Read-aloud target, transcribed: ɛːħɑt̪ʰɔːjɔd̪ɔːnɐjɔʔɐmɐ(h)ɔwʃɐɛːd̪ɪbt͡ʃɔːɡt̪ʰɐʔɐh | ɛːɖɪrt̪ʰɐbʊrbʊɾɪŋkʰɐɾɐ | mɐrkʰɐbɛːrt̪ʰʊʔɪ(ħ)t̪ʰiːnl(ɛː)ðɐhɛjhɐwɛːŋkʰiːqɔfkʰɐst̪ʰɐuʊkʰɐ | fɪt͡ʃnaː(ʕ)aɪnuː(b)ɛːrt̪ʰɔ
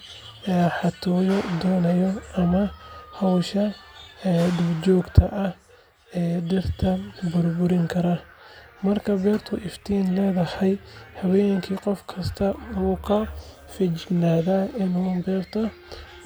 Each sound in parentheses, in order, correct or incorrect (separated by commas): correct, incorrect, correct, incorrect, correct